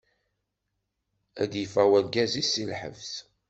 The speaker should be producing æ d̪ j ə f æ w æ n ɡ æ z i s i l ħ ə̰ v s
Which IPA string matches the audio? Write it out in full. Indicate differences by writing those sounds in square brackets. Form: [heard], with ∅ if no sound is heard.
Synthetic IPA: æ d̪ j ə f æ w æ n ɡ æ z i s i l ħ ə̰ v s

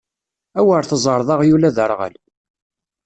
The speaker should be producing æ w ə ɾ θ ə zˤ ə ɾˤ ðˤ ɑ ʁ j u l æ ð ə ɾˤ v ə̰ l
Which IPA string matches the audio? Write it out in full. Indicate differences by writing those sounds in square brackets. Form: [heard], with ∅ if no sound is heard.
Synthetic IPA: æ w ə ɾ θ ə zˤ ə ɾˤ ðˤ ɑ ʁ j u l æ ð ə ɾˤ [ʁ] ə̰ l

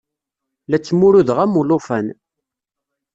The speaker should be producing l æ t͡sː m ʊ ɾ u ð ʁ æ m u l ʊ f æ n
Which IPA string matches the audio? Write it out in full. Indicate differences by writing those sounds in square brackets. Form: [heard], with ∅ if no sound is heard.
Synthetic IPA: l æ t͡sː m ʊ ɾ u ð ʁ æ m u l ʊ f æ n

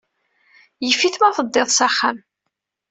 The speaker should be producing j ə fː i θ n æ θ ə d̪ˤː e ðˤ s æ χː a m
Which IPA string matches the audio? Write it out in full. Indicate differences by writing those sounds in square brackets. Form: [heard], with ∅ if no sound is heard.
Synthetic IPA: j ə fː i θ [m] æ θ ə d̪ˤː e ðˤ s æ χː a m

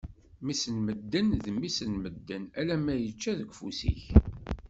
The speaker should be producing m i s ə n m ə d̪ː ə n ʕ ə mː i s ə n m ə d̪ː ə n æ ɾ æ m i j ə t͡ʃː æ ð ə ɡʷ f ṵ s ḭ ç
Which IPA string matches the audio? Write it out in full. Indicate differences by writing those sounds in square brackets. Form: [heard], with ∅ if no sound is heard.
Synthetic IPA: m i s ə n m ə d̪ː ə n [ð] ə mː i s ə n m ə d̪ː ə n æ [l] æ m [æ] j ə t͡ʃː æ ð ə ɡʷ f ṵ s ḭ ç

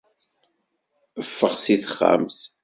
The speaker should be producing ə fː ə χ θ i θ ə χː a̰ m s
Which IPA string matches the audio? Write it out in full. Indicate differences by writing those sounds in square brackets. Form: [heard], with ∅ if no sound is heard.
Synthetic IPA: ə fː ə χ [s] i θ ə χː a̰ m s

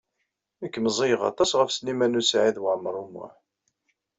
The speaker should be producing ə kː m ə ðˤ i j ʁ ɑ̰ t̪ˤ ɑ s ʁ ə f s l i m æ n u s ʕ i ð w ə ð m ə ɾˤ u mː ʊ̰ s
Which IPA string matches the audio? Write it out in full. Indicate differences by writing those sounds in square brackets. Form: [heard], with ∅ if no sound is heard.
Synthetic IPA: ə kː m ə [zˤ] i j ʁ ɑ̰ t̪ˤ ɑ s ʁ ə f s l i m æ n u s ʕ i ð w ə [ʕ] m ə ɾˤ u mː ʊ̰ [ħ]

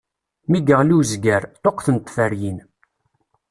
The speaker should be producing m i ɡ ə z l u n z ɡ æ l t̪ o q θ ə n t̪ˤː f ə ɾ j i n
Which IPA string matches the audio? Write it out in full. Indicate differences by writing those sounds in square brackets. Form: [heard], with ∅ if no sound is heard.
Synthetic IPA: m i ɡ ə [ʁ] l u [∅] z ɡ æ [ɾ] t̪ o q θ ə n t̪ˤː f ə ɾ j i n

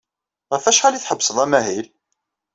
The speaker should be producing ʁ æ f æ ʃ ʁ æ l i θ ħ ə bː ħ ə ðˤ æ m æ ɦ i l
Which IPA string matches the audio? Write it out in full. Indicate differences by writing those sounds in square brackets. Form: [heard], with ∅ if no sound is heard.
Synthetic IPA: ʁ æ f æ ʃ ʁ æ l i θ ħ ə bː [s] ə ðˤ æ m æ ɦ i l

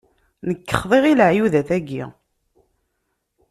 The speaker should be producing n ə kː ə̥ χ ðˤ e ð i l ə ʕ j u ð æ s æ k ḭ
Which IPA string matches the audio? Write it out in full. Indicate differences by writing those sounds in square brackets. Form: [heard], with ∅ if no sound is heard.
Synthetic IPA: n ə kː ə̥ χ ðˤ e [ʁ] i l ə ʕ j u ð æ [θ] æ [ɡ] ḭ

